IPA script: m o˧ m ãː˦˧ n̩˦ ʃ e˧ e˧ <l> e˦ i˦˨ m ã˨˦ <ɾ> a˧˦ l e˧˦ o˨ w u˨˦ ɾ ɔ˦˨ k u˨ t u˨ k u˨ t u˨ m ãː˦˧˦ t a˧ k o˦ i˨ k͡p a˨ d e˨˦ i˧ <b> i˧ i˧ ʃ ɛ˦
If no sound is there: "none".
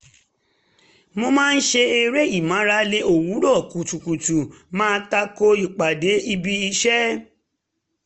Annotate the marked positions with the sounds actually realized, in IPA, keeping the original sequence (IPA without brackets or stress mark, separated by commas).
ɾ, ɾ, b